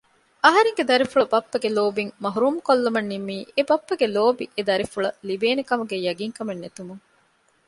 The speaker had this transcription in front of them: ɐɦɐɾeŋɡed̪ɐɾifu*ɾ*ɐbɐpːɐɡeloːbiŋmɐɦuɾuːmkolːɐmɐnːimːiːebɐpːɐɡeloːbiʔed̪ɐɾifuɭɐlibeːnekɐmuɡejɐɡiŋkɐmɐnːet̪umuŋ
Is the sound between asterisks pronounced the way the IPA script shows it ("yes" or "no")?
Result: no